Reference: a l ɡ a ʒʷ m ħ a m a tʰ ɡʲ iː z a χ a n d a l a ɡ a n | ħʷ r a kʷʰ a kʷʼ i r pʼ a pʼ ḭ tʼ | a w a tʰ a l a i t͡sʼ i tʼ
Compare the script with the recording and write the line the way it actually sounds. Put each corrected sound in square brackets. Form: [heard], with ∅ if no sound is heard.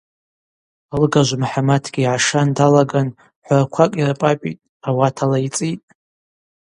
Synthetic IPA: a l ɡ a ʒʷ m ħ a m a tʰ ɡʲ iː [ʕ] a [ʂ] a n d a l a ɡ a n | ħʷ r a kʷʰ a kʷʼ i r pʼ a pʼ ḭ tʼ | a w a tʰ a l a i t͡sʼ i tʼ